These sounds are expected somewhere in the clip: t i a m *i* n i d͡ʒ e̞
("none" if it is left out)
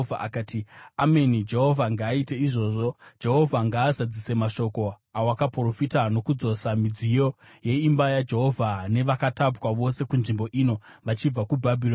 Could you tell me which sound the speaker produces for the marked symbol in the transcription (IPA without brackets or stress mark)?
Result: e